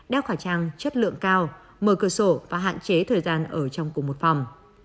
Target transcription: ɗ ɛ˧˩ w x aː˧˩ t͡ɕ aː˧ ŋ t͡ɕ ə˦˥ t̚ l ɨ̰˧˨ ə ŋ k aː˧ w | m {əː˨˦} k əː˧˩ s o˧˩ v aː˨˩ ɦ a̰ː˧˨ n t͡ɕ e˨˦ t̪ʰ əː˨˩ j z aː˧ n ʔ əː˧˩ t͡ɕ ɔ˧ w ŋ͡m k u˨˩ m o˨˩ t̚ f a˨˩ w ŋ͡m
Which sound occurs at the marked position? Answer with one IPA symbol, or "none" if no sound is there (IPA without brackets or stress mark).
əː˧˩